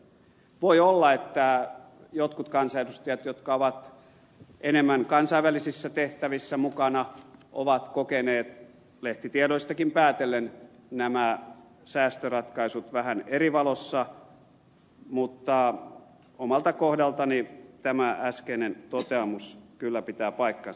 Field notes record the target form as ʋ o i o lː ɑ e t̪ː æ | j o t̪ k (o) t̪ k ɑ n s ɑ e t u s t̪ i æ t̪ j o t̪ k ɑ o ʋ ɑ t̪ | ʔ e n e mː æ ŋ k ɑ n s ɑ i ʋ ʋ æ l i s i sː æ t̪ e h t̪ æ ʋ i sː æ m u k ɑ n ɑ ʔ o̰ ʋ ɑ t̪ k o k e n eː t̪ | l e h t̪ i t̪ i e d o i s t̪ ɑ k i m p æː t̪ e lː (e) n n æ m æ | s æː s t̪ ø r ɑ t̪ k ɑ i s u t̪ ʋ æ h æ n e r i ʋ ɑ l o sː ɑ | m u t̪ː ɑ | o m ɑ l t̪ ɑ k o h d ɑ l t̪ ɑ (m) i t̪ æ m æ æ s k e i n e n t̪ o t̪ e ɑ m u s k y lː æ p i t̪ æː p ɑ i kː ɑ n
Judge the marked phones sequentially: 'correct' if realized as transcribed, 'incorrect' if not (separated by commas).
incorrect, correct, incorrect